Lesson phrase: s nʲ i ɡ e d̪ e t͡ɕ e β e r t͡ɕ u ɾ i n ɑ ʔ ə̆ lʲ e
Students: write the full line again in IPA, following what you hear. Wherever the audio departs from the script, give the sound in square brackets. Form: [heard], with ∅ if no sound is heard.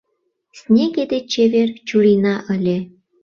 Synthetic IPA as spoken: s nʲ [e] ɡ e d̪ e t͡ɕ e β e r t͡ɕ u ɾ i n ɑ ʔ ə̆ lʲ e